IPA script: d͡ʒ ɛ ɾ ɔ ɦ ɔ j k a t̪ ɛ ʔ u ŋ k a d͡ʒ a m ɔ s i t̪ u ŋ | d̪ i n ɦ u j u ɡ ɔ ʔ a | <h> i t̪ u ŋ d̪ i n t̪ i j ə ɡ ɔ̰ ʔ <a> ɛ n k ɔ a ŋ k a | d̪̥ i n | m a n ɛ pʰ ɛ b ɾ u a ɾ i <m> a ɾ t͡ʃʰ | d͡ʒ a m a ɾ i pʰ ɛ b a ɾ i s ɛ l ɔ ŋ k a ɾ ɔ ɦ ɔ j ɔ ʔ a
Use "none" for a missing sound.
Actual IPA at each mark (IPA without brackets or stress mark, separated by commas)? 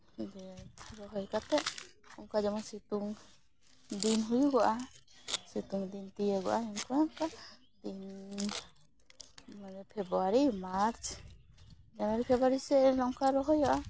s, a, m